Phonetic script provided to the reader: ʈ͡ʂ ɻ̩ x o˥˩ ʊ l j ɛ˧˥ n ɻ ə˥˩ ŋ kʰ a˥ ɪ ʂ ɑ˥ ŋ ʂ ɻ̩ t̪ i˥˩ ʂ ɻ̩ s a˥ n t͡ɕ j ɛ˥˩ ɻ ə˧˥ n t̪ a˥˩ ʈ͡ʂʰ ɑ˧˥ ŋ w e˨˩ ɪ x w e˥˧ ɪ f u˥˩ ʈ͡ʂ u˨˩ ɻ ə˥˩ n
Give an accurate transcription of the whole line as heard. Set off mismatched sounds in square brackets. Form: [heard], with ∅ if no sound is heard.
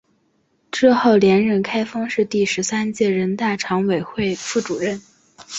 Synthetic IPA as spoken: ʈ͡ʂ ɻ̩ x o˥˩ ʊ l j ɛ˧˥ n ɻ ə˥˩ [n] kʰ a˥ ɪ [f] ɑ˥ ŋ ʂ ɻ̩ t̪ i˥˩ ʂ ɻ̩ s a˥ n t͡ɕ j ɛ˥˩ ɻ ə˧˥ n t̪ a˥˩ ʈ͡ʂʰ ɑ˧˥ ŋ w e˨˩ ɪ x w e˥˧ ɪ f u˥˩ ʈ͡ʂ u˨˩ ɻ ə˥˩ n